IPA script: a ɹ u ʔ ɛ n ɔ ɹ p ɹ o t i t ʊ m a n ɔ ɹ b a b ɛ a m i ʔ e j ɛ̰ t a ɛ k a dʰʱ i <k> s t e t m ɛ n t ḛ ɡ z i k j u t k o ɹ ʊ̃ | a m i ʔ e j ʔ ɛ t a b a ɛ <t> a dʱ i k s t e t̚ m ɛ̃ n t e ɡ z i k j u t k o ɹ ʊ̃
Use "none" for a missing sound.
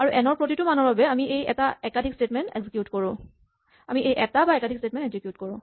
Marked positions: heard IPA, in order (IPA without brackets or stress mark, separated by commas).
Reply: k, k